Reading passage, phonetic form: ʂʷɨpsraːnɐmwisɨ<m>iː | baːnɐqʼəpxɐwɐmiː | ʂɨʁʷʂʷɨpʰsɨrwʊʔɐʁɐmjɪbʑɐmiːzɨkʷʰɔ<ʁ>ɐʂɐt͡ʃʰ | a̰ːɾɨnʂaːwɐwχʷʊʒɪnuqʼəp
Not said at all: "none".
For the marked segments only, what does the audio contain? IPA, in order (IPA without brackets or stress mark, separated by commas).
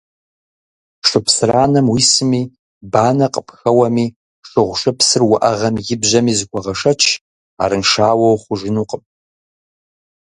m, ʁ